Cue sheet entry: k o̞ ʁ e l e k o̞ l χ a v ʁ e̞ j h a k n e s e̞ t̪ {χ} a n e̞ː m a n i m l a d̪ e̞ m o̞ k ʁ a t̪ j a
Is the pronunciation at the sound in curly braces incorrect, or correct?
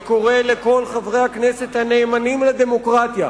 incorrect